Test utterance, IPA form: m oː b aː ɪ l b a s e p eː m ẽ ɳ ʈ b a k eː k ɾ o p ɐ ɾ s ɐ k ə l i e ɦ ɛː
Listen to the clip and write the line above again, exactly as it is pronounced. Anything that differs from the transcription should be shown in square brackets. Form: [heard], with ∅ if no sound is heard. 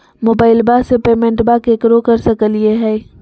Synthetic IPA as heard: m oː b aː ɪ l b a s e p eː m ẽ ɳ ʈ b a k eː k ɾ o [k] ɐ ɾ s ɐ k ə l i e ɦ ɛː